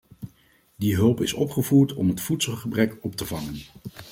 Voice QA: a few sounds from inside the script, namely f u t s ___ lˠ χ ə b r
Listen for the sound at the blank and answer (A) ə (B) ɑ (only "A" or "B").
A